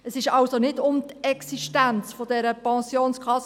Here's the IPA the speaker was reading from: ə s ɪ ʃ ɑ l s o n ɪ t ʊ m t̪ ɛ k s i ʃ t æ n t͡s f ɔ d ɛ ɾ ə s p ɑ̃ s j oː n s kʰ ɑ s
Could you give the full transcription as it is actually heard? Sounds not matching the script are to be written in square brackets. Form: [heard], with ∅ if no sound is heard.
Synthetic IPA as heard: ə s ɪ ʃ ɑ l s o n ɪ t ʊ m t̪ ɛ k s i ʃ t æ n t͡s f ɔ d ɛ ɾ ə [∅] p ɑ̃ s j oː n s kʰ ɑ s

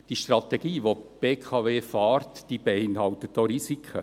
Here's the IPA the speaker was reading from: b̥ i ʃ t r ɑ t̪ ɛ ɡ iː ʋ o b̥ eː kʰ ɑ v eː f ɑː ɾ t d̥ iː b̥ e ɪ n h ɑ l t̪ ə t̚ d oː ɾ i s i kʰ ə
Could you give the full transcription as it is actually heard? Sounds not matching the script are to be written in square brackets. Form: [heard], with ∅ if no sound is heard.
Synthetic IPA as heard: [d̥] i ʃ t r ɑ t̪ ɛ ɡ iː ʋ o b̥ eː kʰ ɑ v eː f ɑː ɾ t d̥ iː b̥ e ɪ n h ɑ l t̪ ə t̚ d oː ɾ i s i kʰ ə

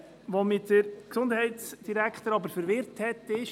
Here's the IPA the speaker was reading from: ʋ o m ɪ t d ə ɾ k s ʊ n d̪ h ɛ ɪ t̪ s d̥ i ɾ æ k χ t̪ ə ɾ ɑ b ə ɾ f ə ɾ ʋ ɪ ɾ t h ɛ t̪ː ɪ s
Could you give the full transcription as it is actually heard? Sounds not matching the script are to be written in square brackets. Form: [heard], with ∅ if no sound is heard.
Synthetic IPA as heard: ʋ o m ɪ t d ə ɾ k s ʊ n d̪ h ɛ ɪ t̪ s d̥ i ɾ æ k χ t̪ ə ɾ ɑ b ə ɾ f ə ɾ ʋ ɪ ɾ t h ɛ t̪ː ɪ [ʃ]

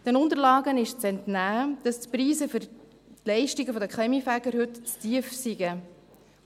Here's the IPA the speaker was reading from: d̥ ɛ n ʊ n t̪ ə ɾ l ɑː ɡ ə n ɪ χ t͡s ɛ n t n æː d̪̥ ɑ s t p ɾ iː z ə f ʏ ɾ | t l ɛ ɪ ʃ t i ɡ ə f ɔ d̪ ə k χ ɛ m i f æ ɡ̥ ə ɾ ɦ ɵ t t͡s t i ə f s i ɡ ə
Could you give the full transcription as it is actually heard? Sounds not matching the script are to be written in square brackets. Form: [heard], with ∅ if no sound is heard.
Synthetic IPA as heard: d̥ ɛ n ʊ n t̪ ə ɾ l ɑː ɡ ə n ɪ [ʃ] t͡s ɛ n t n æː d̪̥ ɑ s t p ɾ iː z ə f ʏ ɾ | t l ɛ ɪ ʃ t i ɡ ə f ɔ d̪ ə k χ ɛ m i f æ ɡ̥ ə ɾ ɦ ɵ t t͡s t i ə f s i ɡ ə

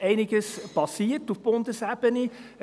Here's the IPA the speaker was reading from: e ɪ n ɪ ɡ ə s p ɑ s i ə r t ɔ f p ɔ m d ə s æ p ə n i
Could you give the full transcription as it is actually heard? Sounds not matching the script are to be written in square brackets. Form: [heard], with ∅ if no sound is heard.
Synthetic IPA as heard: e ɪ n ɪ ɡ ə s p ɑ s i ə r t [u] f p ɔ [n] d ə s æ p ə n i

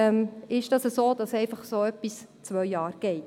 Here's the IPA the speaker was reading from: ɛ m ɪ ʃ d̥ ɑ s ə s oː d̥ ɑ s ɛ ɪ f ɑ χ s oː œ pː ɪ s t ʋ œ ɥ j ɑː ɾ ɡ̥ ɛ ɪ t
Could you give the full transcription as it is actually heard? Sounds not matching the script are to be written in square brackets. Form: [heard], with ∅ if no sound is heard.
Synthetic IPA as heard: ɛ m ɪ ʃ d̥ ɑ s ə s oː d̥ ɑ s ɛ ɪ f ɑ χ s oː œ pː [i] s [t͡s] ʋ œ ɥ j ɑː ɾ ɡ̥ ɛ ɪ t

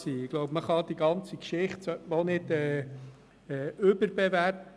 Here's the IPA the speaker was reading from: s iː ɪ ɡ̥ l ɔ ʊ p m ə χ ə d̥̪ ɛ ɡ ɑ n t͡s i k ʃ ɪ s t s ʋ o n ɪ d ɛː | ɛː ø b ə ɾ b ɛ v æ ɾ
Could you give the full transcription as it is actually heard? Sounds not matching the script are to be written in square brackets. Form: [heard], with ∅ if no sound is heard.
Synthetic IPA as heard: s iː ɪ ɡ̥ l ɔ ʊ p m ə χ [ɑ] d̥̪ [i] ɡ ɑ n t͡s i k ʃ ɪ [χ] t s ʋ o n ɪ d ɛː | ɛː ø b ə ɾ b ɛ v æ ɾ

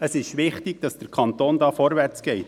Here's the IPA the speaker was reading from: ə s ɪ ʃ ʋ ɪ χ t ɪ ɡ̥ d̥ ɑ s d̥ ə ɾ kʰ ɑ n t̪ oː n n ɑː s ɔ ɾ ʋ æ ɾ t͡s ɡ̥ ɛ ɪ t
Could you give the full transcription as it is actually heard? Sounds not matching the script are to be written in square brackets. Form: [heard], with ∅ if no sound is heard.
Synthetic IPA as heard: ə s ɪ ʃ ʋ ɪ χ t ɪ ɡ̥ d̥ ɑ s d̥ ə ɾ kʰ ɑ n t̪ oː n [d] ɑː [f] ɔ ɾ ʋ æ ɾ t͡s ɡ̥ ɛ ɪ t

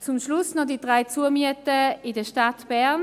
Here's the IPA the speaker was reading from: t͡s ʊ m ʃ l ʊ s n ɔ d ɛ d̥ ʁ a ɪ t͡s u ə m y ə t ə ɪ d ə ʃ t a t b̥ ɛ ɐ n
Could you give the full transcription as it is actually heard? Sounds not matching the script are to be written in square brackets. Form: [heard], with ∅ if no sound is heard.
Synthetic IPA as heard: t͡s ʊ m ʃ l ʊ s n ɔ d [i] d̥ ʁ a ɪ t͡s u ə m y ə t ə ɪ d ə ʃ t a t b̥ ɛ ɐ n

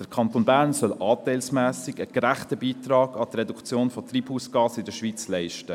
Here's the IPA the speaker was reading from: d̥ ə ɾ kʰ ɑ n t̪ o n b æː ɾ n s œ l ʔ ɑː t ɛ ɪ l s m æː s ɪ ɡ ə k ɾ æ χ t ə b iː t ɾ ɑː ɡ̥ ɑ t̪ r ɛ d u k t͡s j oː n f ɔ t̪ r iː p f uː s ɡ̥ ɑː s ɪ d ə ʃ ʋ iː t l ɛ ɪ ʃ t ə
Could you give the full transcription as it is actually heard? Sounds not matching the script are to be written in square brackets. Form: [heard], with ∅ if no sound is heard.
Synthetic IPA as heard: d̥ ə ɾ kʰ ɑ n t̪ o n b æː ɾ n s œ l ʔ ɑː t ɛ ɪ l s m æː s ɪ ɡ ə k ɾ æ χ t ə b iː t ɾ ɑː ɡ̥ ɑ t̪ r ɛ d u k t͡s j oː n f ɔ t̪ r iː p [h] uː s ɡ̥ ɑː s ɪ d ə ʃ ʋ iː [t͡s] l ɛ ɪ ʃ t ə

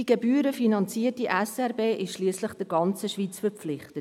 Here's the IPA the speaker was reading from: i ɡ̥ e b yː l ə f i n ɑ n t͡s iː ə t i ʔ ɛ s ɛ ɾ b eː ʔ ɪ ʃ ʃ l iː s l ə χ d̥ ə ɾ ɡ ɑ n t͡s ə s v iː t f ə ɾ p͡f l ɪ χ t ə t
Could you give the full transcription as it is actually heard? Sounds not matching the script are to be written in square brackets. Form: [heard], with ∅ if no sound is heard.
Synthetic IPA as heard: i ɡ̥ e b yː [ɾ] ə f i n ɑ n t͡s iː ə t i ʔ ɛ s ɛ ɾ b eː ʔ ɪ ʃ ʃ l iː s l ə χ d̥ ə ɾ ɡ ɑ n t͡s ə [ʃ] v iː [t͡s] f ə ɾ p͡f l ɪ χ t ə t

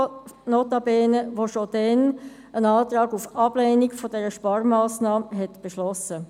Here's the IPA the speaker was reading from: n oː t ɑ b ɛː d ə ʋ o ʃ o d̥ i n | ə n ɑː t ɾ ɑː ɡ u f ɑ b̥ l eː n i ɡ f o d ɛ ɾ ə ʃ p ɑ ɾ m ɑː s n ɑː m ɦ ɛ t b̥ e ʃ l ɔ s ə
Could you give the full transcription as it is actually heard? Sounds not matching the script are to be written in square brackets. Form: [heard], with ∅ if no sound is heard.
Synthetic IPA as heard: n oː t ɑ b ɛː [n] ə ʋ o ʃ o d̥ [ɛ] n | ə n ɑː t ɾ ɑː ɡ u f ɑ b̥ l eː n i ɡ f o d ɛ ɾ ə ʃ p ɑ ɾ m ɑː s n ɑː m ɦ ɛ t b̥ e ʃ l ɔ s ə

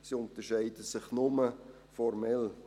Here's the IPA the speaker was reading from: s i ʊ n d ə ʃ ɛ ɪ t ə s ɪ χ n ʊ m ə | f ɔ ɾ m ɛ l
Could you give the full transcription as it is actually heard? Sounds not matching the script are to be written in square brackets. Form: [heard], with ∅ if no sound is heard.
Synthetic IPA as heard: s i ʊ n [t] ə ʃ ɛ ɪ [d] ə s ɪ χ n ʊ m ə | f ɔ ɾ m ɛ l

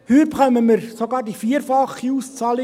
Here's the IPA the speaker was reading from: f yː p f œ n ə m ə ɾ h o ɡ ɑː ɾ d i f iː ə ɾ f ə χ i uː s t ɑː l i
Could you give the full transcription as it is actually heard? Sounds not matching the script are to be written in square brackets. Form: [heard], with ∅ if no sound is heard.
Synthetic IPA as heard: [h] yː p [χ] œ [m] ə m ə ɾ [s] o ɡ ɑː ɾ d i f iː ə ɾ f [ɑ] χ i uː s [t͡s] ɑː l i

